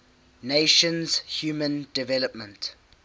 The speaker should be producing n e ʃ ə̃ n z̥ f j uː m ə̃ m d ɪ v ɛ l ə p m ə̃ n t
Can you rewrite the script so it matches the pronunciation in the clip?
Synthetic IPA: n e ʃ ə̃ n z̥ h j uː m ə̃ n d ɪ v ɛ l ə p m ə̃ n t